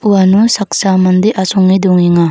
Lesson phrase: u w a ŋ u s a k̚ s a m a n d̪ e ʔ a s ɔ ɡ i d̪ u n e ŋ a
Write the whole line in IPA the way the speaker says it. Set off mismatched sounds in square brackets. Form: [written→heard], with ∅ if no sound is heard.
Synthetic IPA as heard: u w a [ŋ→n] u s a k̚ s a m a n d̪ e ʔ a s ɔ [ɡ→ŋ] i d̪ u [n→ŋ] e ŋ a